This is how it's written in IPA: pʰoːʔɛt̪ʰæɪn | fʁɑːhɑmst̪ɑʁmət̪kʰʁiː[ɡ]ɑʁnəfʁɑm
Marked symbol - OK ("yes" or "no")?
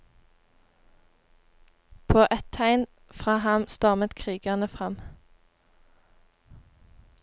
yes